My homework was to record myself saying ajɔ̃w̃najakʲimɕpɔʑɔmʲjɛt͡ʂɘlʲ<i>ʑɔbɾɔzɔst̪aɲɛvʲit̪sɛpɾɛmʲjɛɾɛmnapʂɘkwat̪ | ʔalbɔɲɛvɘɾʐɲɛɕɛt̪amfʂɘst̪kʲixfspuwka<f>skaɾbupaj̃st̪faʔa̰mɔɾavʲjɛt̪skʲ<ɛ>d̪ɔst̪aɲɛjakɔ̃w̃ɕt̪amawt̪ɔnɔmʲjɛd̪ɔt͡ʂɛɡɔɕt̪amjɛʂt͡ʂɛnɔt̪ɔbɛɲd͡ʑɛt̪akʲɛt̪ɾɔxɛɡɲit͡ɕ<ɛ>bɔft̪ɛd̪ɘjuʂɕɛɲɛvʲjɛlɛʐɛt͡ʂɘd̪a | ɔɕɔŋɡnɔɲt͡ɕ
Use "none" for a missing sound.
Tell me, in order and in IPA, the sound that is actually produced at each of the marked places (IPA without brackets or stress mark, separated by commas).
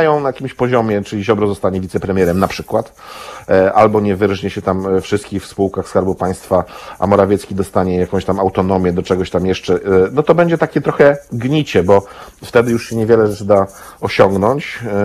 i, x, i, ɛ